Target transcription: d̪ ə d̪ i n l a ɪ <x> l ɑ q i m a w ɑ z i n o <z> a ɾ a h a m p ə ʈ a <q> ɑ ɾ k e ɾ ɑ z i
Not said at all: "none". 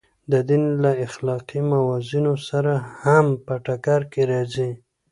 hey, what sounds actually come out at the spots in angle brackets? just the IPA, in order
x, s, k

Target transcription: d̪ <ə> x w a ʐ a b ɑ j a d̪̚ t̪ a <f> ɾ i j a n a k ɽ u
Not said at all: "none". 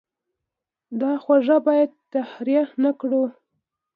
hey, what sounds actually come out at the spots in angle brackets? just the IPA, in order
ɑ, h

